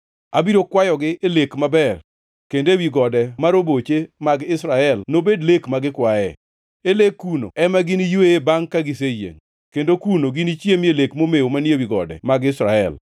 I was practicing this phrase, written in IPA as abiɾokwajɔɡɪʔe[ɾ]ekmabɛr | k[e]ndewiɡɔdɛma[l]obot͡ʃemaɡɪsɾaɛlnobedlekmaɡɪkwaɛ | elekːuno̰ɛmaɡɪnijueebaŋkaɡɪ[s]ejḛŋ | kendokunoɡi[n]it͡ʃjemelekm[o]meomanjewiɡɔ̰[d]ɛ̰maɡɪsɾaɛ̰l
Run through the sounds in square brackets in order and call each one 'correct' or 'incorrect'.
incorrect: l, correct, incorrect: ɾ, correct, correct, correct, correct

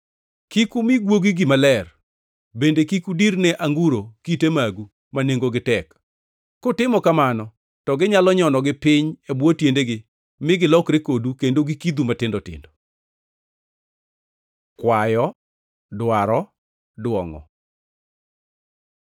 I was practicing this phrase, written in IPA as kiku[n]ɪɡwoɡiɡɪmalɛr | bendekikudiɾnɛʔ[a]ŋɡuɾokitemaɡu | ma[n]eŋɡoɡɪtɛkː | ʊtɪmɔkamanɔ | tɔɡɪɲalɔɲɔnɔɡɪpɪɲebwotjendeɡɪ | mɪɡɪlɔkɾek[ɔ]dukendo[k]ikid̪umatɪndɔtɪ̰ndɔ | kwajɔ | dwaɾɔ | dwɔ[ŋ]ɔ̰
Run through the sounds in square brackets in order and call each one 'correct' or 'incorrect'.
incorrect: m, correct, correct, incorrect: o, incorrect: ɡ, correct

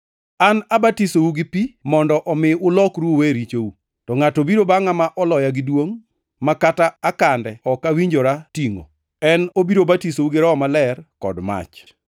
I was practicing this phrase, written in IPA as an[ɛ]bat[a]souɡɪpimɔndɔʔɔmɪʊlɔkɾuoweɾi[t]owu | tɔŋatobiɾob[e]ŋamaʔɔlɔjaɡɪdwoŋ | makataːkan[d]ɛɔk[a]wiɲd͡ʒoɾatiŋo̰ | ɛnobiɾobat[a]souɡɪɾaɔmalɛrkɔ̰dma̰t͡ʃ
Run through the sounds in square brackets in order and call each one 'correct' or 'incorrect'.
incorrect: a, incorrect: i, incorrect: t͡ʃ, incorrect: a, correct, correct, incorrect: i

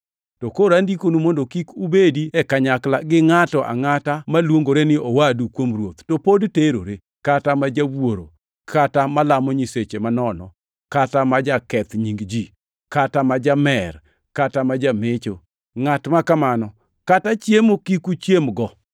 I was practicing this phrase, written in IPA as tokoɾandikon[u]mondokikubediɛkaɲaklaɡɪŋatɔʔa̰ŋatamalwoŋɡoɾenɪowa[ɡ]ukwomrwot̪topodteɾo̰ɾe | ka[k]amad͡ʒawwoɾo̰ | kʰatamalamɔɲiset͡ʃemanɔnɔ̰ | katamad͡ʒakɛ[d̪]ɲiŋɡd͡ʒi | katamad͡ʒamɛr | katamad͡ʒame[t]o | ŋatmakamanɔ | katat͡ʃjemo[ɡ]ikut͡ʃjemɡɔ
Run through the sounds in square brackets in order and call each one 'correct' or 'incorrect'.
correct, incorrect: d, incorrect: t, incorrect: t̪, incorrect: t͡ʃ, incorrect: k

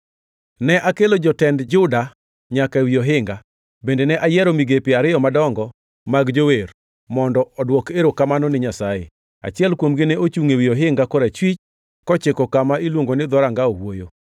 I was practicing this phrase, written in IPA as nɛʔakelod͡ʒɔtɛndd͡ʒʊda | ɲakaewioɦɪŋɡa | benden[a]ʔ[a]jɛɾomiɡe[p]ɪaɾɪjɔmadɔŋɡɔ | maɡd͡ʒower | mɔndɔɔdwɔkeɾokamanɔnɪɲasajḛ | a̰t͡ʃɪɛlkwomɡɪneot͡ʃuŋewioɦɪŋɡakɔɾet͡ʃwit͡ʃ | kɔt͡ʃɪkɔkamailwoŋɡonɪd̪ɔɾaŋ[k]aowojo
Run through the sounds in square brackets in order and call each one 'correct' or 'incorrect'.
incorrect: ɛ, correct, correct, incorrect: ɡ

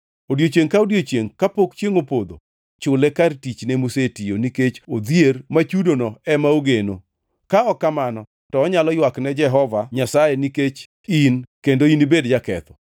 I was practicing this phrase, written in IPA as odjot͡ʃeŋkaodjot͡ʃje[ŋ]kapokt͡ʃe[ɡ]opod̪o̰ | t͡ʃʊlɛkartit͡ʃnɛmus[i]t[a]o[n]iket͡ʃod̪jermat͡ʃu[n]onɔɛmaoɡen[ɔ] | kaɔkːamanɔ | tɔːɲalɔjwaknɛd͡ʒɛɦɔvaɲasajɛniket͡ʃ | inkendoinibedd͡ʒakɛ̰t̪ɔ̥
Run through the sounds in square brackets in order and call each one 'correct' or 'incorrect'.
correct, incorrect: ŋ, incorrect: e, incorrect: i, correct, incorrect: d, incorrect: o

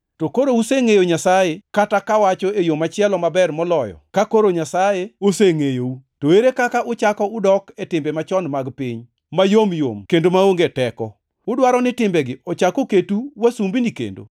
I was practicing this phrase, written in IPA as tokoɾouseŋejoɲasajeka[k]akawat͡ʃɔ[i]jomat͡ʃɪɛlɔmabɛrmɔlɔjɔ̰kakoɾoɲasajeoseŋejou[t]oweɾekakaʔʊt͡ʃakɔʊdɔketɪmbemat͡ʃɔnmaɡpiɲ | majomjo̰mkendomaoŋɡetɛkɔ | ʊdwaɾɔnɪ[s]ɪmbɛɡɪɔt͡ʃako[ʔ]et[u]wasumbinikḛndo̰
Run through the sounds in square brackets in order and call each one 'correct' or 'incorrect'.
incorrect: t, incorrect: e, correct, incorrect: t, incorrect: k, correct

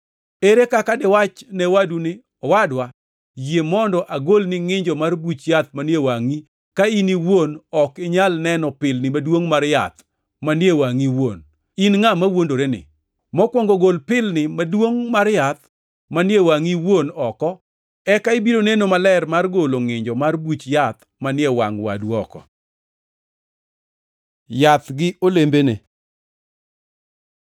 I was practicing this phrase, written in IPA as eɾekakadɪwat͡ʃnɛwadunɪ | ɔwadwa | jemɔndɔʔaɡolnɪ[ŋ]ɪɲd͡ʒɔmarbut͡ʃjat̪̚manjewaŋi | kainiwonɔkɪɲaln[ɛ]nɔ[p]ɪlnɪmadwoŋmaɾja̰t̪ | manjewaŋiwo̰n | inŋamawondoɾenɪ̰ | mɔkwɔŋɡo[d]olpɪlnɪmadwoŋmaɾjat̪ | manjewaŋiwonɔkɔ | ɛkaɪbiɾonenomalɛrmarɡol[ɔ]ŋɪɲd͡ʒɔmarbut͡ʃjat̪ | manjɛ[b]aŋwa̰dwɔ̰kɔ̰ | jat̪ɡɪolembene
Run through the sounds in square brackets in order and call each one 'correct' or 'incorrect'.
correct, correct, correct, incorrect: ɡ, incorrect: o, incorrect: w

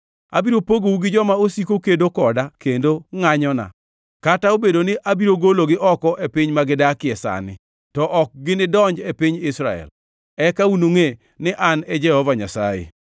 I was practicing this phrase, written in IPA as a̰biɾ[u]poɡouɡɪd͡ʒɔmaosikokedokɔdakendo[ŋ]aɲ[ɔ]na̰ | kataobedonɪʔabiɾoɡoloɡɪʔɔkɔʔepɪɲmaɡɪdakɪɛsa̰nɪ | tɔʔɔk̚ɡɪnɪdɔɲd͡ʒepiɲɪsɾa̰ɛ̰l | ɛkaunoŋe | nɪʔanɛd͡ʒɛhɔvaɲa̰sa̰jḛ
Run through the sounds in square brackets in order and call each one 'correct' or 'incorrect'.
incorrect: o, correct, correct

